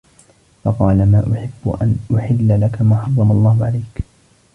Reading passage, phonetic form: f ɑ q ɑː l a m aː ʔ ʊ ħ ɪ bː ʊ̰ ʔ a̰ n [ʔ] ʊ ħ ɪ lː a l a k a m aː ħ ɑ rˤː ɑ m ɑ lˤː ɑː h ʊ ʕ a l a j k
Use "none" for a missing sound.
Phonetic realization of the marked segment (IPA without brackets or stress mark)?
ʔ